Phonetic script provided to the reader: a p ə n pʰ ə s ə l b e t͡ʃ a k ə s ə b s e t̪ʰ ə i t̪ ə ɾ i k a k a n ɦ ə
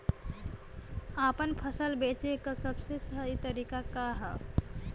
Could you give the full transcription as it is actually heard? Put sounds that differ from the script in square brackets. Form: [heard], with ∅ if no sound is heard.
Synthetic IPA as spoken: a p ə n pʰ ə s ə l b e t͡ʃ [e] k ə s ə b s e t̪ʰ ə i t̪ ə ɾ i k a k a [∅] ɦ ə

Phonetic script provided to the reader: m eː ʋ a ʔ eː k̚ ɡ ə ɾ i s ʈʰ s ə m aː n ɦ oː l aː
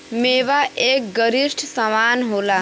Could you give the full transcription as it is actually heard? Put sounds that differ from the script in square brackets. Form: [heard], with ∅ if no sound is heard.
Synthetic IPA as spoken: m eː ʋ a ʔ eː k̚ ɡ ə ɾ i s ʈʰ s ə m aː n ɦ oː l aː

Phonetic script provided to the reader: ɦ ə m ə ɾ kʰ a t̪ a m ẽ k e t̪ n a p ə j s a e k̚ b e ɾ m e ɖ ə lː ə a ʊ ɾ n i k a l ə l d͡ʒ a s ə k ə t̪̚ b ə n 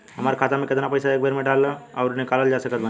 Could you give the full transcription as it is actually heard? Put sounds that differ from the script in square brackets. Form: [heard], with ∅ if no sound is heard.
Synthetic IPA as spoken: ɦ ə m ə ɾ kʰ a t̪ a m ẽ k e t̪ n a p ə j s a e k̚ b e ɾ m e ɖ [a] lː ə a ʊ ɾ n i k a l ə l d͡ʒ a s ə k ə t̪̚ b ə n

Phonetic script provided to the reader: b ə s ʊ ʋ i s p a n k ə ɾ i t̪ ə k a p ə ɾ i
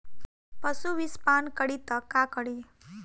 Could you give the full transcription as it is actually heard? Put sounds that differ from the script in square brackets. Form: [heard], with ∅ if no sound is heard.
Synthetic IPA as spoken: [p] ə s [u] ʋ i s p a n k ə [ɽ] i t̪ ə k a [k] ə [ɽ] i

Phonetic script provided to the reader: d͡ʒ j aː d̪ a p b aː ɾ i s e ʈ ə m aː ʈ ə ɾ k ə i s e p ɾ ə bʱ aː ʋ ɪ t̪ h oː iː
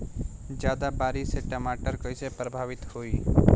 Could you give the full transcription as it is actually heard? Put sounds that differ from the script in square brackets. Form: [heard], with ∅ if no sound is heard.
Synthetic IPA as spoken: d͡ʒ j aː d̪ a [∅] b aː ɾ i s e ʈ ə m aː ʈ ə ɾ k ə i s e p ɾ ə bʱ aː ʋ ɪ t̪ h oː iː

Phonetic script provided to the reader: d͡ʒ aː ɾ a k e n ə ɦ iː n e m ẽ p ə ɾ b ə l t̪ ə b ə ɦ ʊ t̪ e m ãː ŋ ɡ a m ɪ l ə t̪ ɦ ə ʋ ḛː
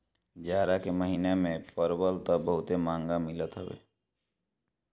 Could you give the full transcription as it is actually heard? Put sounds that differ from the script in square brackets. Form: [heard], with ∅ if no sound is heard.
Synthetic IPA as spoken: d͡ʒ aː ɾ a k e [m] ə ɦ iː n e m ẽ p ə ɾ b ə l t̪ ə b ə ɦ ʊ t̪ e m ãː ŋ ɡ a m ɪ l ə t̪ ɦ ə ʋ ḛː

